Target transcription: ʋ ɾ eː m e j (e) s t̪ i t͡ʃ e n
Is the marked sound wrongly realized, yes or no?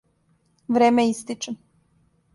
yes